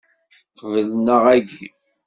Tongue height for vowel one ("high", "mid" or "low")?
mid